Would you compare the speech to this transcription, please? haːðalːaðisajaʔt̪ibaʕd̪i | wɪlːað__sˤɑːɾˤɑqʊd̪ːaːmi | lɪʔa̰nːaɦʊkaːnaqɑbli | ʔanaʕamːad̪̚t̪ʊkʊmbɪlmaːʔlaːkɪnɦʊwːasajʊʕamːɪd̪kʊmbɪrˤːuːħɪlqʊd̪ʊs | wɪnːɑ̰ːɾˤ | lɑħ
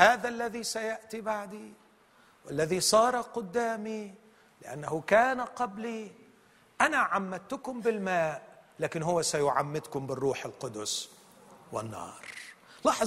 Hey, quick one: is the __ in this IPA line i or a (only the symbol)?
i